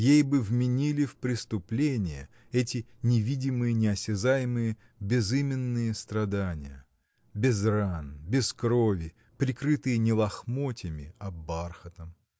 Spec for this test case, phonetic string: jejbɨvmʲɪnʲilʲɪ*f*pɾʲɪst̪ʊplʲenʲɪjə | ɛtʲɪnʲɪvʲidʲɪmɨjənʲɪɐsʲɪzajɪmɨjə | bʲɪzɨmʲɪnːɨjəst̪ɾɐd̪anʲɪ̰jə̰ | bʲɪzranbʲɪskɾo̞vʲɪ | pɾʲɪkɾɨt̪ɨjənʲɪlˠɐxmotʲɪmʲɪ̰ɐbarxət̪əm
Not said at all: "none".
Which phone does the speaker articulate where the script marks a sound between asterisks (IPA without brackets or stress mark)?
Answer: f